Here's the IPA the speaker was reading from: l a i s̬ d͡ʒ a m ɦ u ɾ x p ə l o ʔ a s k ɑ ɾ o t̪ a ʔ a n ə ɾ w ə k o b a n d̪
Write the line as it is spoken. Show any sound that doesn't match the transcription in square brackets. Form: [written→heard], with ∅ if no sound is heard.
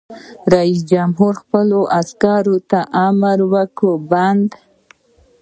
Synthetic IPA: [l→ɾ] a i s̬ d͡ʒ a m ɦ u ɾ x p ə l o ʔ a s k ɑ ɾ o t̪ a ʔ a [n→m] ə ɾ w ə k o b a n d̪